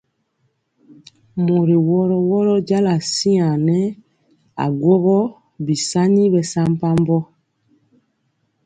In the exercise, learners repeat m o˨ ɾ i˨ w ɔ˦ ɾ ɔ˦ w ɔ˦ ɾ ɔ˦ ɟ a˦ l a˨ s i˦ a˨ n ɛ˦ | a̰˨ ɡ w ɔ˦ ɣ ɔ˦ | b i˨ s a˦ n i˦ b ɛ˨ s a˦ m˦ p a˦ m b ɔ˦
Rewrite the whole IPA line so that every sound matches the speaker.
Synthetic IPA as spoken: m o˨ ɾ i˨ w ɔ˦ ɾ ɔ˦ w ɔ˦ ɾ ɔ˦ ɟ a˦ l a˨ s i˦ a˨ n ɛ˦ | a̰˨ ɡ w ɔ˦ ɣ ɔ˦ | b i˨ s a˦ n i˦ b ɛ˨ s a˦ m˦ p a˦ m b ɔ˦